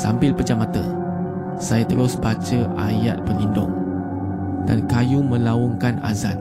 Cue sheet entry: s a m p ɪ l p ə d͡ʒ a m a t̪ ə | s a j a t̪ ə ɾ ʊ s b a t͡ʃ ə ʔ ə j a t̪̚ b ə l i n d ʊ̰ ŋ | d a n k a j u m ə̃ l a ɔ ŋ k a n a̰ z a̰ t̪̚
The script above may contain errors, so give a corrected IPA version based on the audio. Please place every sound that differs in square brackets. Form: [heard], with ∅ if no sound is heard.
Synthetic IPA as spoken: s a m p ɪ l p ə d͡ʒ a m a t̪ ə | s a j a t̪ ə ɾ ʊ s b a t͡ʃ ə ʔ [a] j a t̪̚ [p] ə l i n d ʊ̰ ŋ | d a n k a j u m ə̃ l a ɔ ŋ k a n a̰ z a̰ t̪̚